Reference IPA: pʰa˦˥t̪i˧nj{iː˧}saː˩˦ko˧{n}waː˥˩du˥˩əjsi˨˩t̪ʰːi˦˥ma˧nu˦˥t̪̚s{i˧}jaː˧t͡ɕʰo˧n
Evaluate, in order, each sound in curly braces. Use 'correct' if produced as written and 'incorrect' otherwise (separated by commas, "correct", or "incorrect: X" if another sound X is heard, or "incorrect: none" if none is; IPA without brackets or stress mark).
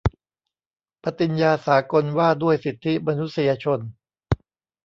incorrect: aː˧, correct, correct